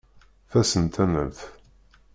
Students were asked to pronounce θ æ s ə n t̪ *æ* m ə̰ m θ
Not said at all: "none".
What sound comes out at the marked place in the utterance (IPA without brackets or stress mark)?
æ